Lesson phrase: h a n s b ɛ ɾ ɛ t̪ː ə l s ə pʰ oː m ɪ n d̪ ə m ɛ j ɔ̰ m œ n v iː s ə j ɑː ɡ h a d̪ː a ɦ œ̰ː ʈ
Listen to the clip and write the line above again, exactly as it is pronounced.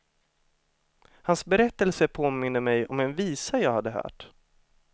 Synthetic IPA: h a n s b ɛ ɾ ɛ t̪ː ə l s ə pʰ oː m ɪ n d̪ ə m ɛ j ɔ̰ m ɛ n v iː s a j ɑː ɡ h a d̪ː ə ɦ œ̰ː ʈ

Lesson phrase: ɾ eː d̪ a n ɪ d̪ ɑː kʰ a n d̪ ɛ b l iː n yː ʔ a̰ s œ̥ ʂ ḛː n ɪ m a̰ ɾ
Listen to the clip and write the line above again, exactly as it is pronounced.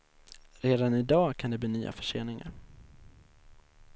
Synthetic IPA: ɾ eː d̪ a n ɪ d̪ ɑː kʰ a n d̪ ɛ b l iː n yː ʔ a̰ f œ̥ ʂ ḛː n ɪ ŋ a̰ ɾ

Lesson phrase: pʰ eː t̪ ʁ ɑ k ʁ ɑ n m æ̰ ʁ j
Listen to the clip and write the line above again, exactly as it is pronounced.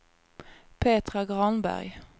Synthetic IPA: pʰ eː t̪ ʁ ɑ ɡ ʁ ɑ n b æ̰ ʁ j

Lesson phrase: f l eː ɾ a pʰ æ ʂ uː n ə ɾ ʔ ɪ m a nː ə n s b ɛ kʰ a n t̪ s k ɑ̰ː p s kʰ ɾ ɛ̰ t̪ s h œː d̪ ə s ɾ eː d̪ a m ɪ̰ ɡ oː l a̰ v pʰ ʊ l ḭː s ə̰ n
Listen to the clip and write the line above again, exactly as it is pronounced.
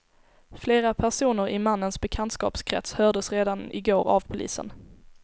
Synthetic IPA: f l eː ɾ a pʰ æ ʂ uː n ə ɾ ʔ ɪ m a nː ə n s b ɛ kʰ a n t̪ s k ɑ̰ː p s kʰ ɾ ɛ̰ t̪ s h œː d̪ ə s ɾ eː d̪ a n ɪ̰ ɡ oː ɾ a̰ v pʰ ʊ l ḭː s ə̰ n

